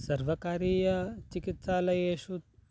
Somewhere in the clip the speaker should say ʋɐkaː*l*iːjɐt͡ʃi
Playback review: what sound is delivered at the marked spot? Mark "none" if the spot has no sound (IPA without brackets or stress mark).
ɾ